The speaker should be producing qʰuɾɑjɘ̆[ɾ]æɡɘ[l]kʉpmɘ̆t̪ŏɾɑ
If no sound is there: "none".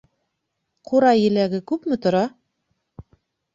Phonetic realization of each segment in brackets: l, none

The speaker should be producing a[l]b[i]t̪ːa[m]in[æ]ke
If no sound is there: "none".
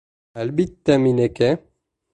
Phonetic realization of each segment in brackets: l, i, m, e

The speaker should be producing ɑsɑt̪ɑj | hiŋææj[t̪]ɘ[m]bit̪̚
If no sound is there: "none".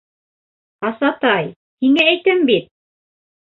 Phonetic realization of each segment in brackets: t̪, m

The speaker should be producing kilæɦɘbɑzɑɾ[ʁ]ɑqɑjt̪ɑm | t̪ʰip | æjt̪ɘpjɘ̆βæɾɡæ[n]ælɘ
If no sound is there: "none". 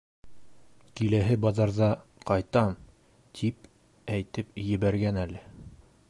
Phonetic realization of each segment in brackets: ð, n

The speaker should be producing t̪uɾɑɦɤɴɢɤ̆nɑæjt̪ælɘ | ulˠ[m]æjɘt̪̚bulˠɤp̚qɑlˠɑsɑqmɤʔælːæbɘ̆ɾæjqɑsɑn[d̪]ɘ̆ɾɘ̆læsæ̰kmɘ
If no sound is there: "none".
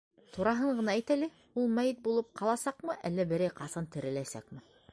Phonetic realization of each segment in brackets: m, t̪

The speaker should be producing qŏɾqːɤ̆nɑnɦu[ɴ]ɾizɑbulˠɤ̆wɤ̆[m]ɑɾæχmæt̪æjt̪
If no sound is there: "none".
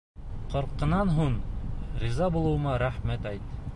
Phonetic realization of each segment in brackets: ɴ, m

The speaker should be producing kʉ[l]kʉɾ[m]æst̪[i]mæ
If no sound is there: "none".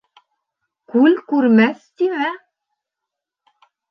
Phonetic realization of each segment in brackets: l, m, i

